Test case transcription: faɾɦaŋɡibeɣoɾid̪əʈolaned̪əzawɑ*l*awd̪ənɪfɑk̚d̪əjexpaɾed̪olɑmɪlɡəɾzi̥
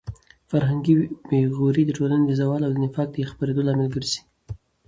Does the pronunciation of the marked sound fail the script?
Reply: no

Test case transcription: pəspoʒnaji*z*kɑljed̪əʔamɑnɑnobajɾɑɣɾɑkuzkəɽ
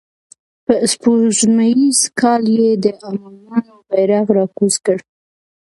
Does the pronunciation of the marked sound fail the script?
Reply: no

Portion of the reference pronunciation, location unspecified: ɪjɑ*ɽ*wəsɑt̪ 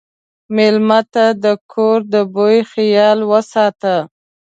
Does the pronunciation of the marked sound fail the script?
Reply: yes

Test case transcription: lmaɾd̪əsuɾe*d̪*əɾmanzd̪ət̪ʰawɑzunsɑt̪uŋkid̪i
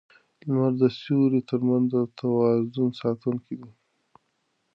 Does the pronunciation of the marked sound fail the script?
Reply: yes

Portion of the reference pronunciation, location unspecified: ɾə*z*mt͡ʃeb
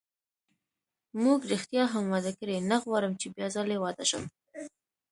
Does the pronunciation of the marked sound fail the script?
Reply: yes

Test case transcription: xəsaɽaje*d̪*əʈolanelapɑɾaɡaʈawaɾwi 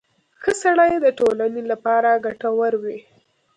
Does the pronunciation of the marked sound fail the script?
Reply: no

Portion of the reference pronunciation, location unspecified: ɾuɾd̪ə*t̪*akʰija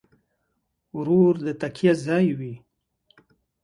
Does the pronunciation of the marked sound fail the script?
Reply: no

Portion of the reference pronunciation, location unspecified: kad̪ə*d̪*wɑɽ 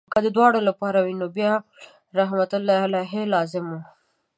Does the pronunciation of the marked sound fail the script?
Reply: no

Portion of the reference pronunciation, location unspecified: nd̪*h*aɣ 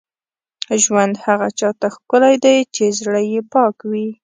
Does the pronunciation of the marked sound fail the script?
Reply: no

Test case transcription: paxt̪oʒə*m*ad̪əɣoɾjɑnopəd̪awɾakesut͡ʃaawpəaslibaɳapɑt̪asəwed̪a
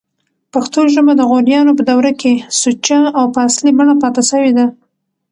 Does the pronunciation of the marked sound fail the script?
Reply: no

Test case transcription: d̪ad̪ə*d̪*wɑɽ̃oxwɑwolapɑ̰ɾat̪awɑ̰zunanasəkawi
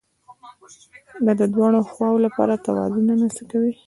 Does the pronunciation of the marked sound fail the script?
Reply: no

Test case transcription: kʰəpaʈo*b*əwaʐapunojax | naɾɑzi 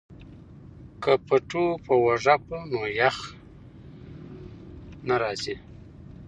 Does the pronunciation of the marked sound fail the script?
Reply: yes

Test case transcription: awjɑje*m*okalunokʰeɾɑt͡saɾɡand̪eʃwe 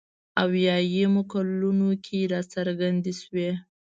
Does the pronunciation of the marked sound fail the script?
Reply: no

